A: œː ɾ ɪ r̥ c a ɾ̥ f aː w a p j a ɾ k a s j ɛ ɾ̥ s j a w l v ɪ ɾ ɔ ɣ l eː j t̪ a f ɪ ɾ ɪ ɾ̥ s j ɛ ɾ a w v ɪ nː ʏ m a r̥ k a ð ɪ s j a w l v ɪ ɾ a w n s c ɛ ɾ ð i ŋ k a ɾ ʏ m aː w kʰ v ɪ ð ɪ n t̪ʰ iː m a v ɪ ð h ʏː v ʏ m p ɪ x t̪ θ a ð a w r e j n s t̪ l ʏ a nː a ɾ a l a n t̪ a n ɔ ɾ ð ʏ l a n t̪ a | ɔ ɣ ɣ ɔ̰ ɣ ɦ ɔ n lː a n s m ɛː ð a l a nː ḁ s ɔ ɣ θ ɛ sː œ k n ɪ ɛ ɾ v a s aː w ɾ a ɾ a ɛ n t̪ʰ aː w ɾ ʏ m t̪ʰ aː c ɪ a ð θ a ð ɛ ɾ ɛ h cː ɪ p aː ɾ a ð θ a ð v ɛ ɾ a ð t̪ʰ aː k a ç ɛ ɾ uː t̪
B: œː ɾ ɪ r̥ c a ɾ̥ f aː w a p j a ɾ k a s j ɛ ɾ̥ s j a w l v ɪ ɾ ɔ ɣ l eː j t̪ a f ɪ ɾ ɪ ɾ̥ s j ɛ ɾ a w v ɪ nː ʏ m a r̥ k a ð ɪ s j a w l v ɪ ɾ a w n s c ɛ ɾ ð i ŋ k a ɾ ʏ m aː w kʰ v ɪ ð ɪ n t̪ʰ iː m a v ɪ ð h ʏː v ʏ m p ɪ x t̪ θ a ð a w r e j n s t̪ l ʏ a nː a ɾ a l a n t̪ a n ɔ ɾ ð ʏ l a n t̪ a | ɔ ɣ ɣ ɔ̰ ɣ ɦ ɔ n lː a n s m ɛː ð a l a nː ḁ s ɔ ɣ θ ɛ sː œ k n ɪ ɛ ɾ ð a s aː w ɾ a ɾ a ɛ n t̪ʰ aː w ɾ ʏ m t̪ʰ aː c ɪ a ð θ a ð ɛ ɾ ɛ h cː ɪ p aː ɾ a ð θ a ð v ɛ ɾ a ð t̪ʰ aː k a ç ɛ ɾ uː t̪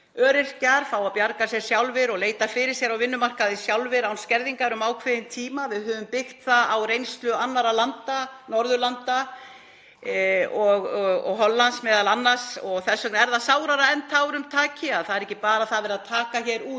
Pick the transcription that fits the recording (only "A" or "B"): B